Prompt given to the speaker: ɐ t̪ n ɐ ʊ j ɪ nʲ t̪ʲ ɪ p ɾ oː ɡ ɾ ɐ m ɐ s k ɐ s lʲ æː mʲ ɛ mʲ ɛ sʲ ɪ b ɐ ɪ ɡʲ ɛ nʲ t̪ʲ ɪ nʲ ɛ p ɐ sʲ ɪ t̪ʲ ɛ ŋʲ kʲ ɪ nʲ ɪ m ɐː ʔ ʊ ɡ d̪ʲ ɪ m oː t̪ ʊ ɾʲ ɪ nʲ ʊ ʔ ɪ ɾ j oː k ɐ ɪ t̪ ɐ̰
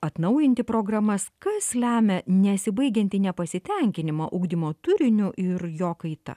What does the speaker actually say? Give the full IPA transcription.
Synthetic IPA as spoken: ɐ t̪ n ɐ ʊ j ɪ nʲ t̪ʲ ɪ p ɾ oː ɡ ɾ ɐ m ɐ s k ɐ s lʲ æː mʲ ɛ nʲ ɛ sʲ ɪ b ɐ ɪ ɡʲ ɛ nʲ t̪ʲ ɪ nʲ ɛ p ɐ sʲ ɪ t̪ʲ ɛ ŋʲ kʲ ɪ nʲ ɪ m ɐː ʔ ʊ ɡ d̪ʲ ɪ m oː t̪ ʊ ɾʲ ɪ nʲ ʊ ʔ ɪ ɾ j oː k ɐ ɪ t̪ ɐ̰